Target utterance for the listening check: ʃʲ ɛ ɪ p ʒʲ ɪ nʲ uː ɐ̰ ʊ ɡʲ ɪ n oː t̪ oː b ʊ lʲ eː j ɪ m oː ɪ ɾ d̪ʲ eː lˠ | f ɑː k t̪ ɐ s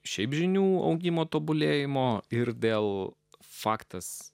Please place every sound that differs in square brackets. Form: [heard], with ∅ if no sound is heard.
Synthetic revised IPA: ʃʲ ɛ ɪ p ʒʲ ɪ nʲ uː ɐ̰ ʊ ɡʲ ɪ [m] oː t̪ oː b ʊ lʲ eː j ɪ m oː ɪ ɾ d̪ʲ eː lˠ | f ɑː k t̪ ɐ s